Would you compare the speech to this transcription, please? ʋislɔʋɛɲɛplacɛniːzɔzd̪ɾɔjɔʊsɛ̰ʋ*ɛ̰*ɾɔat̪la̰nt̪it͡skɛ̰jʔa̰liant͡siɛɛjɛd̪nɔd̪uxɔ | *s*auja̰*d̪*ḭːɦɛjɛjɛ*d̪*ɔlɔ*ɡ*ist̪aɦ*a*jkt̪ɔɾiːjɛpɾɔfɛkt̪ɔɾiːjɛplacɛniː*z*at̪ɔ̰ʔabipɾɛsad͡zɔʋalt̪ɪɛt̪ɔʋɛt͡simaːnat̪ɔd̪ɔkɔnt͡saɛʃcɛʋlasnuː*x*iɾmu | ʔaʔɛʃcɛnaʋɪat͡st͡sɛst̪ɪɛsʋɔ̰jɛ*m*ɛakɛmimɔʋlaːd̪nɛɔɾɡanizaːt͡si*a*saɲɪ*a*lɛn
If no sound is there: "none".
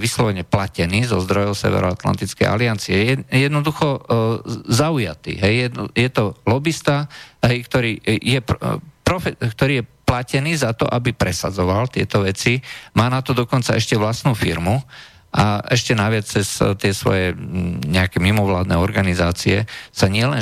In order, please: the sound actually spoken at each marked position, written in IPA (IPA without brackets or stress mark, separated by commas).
ɛ̰, z, t̪, t̪, b, ɛ, z, f, ɲ, ɛ, ɛ